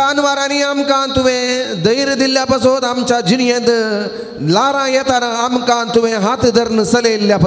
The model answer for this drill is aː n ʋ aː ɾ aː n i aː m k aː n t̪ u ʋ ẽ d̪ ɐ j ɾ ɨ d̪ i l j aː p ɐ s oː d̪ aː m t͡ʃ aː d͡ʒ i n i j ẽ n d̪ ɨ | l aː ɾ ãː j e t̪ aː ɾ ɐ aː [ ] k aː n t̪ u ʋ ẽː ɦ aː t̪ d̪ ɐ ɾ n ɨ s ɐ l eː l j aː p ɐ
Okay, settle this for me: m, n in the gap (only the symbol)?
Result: m